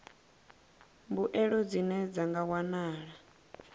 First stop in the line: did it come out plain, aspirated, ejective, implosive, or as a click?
plain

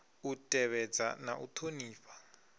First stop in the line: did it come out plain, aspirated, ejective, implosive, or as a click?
ejective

